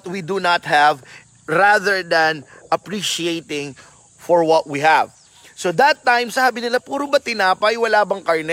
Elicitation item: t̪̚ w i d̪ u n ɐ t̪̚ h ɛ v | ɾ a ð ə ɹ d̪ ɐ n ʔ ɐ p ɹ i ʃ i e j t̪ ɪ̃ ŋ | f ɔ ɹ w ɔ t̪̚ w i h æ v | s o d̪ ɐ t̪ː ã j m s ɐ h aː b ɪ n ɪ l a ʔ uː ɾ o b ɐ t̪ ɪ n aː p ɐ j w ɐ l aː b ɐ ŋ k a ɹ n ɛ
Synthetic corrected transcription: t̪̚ w i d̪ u n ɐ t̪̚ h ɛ v | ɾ a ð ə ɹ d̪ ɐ n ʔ ɐ p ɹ i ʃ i e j t̪ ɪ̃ ŋ | f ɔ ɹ w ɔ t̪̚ w i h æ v | s o d̪ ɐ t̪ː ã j m s ɐ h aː b ɪ n ɪ l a p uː ɾ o b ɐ t̪ ɪ n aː p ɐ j w ɐ l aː b ɐ ŋ k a ɹ n ɛ